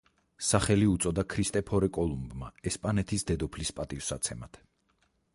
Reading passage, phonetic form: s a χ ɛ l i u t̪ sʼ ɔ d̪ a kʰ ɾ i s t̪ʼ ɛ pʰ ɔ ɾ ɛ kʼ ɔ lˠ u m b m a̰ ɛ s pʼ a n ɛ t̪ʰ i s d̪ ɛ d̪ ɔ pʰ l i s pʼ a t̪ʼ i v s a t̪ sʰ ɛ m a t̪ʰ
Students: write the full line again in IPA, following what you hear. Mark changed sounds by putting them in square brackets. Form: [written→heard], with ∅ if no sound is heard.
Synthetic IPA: s a χ ɛ l i u t̪ sʼ ɔ d̪ a kʰ ɾ i s t̪ʼ ɛ pʰ ɔ ɾ ɛ kʼ ɔ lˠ u m b m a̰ ɛ s pʼ a n ɛ t̪ʰ i s d̪ ɛ d̪ ɔ pʰ l i s pʼ a t̪ʼ i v s a t̪ sʰ ɛ m a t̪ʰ

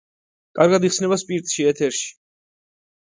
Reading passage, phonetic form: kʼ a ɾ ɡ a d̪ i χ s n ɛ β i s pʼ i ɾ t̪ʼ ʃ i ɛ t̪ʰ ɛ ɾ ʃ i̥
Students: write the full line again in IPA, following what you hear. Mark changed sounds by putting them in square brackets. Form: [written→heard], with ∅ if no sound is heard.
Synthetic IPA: kʼ a ɾ ɡ a d̪ i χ s n ɛ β [i→a] s pʼ i ɾ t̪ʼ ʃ i ɛ t̪ʰ ɛ ɾ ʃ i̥

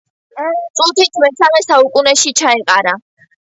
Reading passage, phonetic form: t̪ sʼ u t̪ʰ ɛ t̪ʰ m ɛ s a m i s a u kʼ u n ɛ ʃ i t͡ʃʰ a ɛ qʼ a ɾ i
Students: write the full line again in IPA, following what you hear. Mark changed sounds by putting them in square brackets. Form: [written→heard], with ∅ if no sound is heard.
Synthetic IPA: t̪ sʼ u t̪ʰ [ɛ→i] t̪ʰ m ɛ s a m [i→ɛ] s a u kʼ u n ɛ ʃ i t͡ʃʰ a ɛ qʼ a ɾ [i→a]

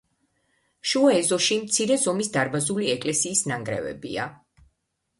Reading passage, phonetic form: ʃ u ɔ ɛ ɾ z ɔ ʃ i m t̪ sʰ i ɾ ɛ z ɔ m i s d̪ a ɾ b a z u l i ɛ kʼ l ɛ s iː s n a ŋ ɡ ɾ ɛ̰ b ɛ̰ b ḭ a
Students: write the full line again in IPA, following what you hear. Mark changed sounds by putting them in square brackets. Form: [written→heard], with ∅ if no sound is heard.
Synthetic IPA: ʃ u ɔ ɛ [ɾ→∅] z ɔ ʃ i m t̪ sʰ i ɾ ɛ z ɔ m i s d̪ a ɾ b a z u l i ɛ kʼ l ɛ s iː s n a ŋ ɡ ɾ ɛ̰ [b→v] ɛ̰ b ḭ a

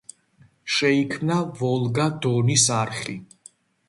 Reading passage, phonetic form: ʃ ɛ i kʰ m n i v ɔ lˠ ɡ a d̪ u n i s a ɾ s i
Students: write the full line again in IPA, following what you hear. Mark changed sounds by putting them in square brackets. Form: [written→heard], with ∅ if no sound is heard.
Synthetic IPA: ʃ ɛ i kʰ m n [i→a] v ɔ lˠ ɡ a d̪ [u→ɔ] n i s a ɾ [s→χ] i

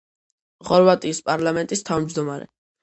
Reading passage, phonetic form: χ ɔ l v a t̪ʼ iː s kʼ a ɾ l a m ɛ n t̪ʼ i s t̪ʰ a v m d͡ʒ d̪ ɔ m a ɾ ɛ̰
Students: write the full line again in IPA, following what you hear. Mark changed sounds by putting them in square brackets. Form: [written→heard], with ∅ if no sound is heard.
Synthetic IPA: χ ɔ [l→ɾ] v a t̪ʼ iː s [kʼ→pʼ] a ɾ l a m ɛ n t̪ʼ i s t̪ʰ a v m d͡ʒ d̪ ɔ m a ɾ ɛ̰

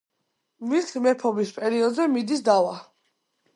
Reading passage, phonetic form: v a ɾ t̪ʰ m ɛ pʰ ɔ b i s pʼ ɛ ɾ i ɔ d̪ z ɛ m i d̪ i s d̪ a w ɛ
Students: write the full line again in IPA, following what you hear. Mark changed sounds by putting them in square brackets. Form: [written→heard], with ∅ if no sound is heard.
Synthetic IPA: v [a→i] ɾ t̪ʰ m ɛ pʰ ɔ b i s pʼ ɛ ɾ i ɔ d̪ z ɛ m i d̪ i s d̪ a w [ɛ→a]

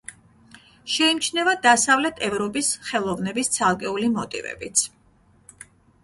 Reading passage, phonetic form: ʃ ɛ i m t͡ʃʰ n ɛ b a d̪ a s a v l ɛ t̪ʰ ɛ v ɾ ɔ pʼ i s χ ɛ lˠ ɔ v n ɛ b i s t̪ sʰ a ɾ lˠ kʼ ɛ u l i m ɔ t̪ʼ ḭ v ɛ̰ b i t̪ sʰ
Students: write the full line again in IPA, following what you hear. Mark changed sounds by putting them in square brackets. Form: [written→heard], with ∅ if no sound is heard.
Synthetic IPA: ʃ ɛ i m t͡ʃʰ n ɛ [b→v] a d̪ a s a v l ɛ t̪ʰ ɛ v ɾ ɔ pʼ i s χ ɛ lˠ ɔ v n ɛ b i s t̪ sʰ a [ɾ→∅] lˠ kʼ ɛ u l i m ɔ t̪ʼ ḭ v ɛ̰ b i t̪ sʰ

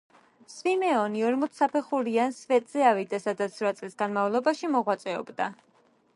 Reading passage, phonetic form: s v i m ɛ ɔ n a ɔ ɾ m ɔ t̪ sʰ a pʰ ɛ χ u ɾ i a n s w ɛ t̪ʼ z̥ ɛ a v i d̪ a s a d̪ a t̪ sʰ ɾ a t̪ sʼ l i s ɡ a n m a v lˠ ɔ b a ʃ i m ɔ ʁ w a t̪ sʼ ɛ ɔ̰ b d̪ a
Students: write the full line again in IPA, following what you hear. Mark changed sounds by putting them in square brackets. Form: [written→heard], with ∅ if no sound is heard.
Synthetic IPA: s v i m ɛ ɔ n [a→i] ɔ ɾ m ɔ t̪ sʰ a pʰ ɛ χ u ɾ i a n s [w→v] ɛ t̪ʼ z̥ ɛ a v i d̪ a s a d̪ a t̪ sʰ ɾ a t̪ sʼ l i s ɡ a n m a v lˠ ɔ b a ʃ i m ɔ ʁ w a t̪ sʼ ɛ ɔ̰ b d̪ a

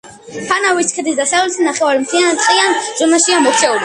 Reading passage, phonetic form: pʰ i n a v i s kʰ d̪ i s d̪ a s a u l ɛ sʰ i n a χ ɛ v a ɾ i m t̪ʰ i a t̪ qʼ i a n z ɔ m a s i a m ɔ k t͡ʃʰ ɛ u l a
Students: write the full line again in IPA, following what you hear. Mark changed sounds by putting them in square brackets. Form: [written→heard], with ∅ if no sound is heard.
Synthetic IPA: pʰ [i→a] n a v i s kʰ d̪ i s d̪ a s a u l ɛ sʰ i n a χ ɛ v a ɾ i m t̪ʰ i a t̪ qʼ i a n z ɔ m a [s→ʃ] i a m ɔ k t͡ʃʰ ɛ u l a

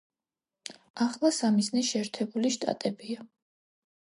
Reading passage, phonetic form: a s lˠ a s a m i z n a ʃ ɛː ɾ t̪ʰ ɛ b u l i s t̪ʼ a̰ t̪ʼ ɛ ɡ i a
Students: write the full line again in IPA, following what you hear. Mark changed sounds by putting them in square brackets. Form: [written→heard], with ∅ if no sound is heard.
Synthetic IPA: a [s→χ] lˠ a s a m i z n [a→ɛ] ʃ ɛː ɾ t̪ʰ ɛ b u l i [s→ʃ] t̪ʼ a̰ t̪ʼ ɛ [ɡ→b] i a

